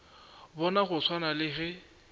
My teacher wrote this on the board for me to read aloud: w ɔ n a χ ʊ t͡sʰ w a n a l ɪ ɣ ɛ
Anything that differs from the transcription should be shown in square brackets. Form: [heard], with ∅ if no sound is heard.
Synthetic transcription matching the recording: [b] ɔ n a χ ʊ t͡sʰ w a n a l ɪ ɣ ɛ